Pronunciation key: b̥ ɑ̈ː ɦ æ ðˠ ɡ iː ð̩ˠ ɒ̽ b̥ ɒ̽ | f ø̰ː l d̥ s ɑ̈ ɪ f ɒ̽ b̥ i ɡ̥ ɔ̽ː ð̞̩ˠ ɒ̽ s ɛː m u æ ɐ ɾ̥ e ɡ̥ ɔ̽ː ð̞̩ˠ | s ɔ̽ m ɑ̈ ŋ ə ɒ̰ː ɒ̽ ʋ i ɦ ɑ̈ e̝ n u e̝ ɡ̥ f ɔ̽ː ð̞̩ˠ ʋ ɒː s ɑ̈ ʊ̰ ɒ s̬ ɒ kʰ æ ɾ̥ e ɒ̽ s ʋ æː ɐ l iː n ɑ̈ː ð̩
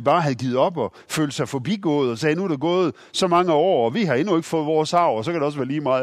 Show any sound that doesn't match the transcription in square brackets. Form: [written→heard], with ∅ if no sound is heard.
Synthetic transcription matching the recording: b̥ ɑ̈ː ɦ æ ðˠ ɡ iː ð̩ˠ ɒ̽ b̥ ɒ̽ | f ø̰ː l d̥ s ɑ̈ ɪ f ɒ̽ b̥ i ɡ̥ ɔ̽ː ð̞̩ˠ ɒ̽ s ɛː [m→n] u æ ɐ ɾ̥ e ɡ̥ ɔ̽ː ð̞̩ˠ | s [ɔ̽→ɒ̽] m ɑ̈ ŋ ə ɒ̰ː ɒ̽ ʋ i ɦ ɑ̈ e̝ n u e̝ ɡ̥ f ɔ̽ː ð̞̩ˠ ʋ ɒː s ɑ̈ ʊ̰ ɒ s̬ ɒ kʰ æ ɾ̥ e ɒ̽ s ʋ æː ɐ l iː [n→m] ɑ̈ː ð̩